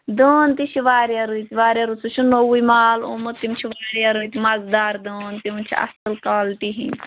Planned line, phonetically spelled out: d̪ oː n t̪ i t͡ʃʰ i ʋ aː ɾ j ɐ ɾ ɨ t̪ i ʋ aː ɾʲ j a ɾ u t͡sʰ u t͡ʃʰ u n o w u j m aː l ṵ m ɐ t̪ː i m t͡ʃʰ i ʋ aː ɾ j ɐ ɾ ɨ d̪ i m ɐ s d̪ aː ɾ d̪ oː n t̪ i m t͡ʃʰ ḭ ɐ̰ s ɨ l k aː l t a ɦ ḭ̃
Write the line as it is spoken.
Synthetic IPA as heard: d̪ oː n t̪ i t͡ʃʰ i ʋ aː ɾ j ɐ ɾ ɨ t̪ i ʋ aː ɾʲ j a ɾ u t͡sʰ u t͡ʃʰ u n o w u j m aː l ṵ m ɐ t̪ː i m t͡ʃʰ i ʋ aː ɾ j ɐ ɾ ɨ t̪ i m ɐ z d̪ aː ɾ d̪ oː n t̪ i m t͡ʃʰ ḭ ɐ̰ s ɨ l k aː l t i ɦ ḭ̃

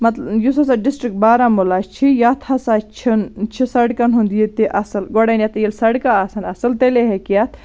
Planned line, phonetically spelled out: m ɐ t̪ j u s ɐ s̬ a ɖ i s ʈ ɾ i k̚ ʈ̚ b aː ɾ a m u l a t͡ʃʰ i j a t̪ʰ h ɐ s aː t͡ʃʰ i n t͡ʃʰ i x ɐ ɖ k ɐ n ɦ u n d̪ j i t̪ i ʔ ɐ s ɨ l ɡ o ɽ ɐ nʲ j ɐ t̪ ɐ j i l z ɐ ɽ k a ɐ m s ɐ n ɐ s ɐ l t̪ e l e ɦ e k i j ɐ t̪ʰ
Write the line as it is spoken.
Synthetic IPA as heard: m ɐ t̪ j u s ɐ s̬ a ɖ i s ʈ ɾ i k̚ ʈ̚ b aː ɾ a m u l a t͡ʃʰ i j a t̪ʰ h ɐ s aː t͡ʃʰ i n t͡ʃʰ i s ɐ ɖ k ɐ n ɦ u n d̪ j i t̪ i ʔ ɐ s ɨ l ɡ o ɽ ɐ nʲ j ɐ t̪ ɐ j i l s ɐ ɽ k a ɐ s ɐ n ɐ s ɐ l t̪ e l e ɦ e k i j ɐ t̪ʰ

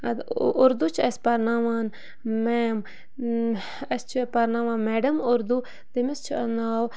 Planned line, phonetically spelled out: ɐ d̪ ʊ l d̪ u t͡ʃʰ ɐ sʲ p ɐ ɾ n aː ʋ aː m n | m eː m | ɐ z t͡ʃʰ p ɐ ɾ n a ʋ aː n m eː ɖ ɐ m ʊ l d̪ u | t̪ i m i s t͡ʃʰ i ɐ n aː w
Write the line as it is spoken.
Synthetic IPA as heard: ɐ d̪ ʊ ɾ d̪ u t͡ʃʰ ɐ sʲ p ɐ ɾ n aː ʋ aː n | m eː m | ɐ s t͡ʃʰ p ɐ ɾ n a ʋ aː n m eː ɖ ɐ m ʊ ɾ d̪ u | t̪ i m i s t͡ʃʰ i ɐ n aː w

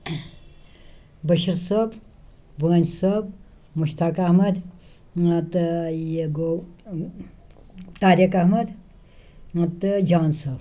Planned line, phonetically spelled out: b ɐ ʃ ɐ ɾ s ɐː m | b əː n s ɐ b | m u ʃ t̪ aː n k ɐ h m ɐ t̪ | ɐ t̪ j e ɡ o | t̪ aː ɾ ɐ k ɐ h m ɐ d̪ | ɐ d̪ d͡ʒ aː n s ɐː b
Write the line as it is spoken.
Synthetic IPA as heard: b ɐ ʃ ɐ ɾ s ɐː b | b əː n s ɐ b | m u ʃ t̪ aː k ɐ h m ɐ d̪ | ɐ t̪ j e ɡ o | t̪ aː ɾ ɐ k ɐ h m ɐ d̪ | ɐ t̪ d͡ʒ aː n s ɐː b

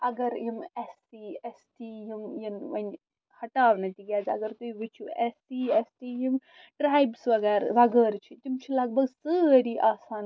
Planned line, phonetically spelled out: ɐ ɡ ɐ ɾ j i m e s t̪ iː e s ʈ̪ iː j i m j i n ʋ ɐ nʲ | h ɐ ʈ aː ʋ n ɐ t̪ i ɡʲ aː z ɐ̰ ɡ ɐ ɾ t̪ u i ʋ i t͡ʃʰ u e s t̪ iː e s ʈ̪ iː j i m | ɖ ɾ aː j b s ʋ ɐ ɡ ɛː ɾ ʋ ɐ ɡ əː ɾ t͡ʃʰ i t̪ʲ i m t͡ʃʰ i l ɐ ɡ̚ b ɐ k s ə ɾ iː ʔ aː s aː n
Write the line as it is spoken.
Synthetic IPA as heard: ɐ ɡ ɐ ɾ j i m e s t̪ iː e s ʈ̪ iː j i m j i n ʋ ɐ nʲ | h ɐ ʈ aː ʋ n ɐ t̪ i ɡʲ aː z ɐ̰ ɡ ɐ ɾ t̪ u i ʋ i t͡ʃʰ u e s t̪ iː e s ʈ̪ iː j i m | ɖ ɾ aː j b s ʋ ɐ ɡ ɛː ɾ ʋ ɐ ɡ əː ɾ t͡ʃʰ i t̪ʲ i m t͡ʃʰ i l ɐ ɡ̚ b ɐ ɡ s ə ɾ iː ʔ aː s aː n

